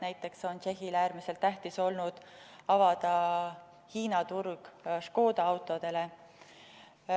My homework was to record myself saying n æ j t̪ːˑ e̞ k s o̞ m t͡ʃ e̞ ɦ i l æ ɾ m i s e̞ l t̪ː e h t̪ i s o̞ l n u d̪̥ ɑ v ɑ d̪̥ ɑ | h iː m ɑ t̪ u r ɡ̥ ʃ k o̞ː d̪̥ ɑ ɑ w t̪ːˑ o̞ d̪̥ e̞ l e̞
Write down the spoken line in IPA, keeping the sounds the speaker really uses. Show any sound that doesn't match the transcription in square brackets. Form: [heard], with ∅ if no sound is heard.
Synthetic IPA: n æ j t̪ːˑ e̞ k s o̞ [n] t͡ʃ e̞ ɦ i l [æː] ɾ m i s e̞ l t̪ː [æ] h t̪ i s o̞ l n u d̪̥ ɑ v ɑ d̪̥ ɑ | h iː [n] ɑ t̪ u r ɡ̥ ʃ k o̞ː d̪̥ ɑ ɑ w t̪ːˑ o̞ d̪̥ e̞ l e̞